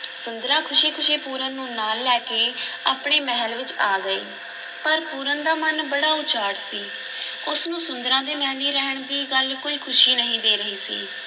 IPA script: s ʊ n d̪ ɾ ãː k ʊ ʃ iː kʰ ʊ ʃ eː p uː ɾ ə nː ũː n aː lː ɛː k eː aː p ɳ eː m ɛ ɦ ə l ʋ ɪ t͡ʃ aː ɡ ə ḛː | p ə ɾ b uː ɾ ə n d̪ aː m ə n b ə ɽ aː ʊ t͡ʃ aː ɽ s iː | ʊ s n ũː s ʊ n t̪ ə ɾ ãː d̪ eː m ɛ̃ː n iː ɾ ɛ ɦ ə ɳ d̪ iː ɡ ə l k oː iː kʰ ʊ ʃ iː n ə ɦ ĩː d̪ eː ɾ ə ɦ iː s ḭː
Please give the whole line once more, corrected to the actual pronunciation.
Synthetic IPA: s ʊ n d̪ ɾ ãː kʰ ʊ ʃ iː kʰ ʊ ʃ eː p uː ɾ ə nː ũː n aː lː ɛː k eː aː p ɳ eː m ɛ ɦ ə l ʋ ɪ t͡ʃ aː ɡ ə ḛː | p ə ɾ p uː ɾ ə n d̪ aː m ə n b ə ɽ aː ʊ t͡ʃ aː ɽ s iː | ʊ s n ũː s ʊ n d̪ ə ɾ ãː d̪ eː m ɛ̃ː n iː ɾ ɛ ɦ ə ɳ d̪ iː ɡ ə l k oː iː kʰ ʊ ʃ iː n ə ɦ ĩː d̪ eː ɾ ə ɦ iː s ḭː